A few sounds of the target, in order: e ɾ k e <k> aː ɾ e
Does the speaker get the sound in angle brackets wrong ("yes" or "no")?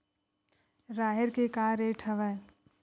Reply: no